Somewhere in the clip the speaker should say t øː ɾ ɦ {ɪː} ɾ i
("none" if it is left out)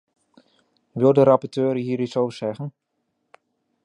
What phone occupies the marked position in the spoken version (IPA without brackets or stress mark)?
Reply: iː